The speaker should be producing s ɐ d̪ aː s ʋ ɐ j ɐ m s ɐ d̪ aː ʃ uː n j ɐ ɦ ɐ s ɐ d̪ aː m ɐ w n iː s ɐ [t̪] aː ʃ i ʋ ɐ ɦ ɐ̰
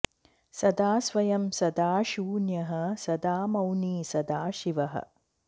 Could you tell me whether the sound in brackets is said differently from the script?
yes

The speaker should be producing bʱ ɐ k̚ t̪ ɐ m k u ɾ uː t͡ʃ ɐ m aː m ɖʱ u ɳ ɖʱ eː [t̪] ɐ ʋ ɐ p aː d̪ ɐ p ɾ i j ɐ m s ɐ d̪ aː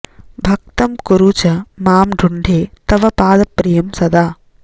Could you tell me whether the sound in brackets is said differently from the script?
no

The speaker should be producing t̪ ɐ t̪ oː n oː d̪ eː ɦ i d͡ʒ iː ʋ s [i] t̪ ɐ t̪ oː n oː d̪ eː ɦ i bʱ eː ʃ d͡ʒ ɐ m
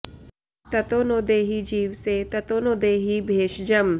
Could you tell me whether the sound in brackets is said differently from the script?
yes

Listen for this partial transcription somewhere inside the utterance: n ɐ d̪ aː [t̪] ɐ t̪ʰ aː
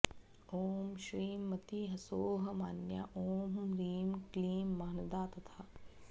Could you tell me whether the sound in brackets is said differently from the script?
no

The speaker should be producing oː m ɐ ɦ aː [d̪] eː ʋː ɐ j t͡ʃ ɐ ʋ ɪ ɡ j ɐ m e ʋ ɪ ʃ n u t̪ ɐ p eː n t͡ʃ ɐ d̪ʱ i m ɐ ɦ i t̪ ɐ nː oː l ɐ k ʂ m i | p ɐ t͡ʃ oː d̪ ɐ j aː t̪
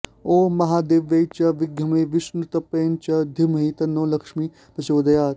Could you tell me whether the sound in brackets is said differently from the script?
no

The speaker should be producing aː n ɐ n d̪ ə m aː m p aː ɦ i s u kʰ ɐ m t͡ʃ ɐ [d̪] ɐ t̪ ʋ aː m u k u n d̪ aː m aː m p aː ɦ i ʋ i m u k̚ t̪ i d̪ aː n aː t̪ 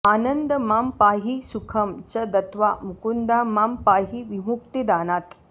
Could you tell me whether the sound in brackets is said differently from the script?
no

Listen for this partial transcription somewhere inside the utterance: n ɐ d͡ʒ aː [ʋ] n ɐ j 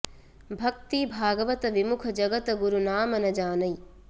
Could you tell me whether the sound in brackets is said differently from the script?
yes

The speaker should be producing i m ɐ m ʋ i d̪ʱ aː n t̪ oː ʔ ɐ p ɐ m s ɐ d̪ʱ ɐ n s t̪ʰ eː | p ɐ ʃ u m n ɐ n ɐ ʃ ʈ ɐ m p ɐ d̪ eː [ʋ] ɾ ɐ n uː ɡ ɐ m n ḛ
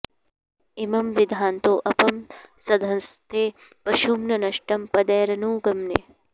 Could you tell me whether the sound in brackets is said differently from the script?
yes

